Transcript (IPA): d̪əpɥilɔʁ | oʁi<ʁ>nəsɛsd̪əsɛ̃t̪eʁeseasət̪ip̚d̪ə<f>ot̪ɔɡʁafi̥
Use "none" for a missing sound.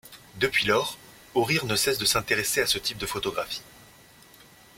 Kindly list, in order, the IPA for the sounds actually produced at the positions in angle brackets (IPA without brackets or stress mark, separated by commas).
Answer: ʁ, f